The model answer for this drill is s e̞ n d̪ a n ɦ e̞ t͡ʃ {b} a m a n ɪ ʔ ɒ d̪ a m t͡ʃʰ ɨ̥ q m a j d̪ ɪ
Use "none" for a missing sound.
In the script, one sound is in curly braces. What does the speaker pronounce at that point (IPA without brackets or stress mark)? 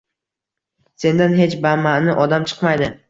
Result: b